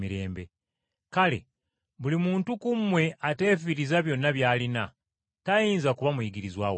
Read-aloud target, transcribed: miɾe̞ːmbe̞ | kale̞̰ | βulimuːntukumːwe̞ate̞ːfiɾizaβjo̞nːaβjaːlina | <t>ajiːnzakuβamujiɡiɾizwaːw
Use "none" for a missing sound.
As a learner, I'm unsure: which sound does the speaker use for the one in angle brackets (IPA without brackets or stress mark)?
t